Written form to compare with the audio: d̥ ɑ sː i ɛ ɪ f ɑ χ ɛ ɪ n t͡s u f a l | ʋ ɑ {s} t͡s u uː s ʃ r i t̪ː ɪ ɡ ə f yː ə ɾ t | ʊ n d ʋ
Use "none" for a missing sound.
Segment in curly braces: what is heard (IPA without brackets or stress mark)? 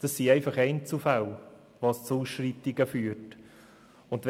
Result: s